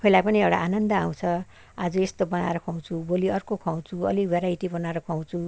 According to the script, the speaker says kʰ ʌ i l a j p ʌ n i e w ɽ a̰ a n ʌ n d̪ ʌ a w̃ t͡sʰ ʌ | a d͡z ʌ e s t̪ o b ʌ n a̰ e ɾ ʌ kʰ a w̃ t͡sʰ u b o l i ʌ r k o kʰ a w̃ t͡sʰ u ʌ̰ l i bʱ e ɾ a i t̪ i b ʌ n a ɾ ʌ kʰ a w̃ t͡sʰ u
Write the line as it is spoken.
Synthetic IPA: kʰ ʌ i l a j p ʌ n i e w ɽ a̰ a n ʌ n d̪ ʌ a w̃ t͡sʰ ʌ | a d͡z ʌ e s t̪ o b ʌ n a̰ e ɾ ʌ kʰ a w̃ t͡sʰ u b o l i ʌ r k o kʰ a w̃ t͡sʰ u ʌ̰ l i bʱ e ɾ a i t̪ i b ʌ n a ɾ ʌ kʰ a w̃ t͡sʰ u